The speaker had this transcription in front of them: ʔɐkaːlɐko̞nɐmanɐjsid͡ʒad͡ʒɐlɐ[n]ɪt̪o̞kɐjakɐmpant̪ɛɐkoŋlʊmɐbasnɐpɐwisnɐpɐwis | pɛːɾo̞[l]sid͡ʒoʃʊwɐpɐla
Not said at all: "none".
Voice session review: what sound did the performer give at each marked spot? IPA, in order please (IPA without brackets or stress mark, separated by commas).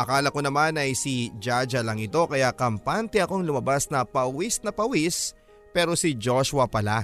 ŋ, none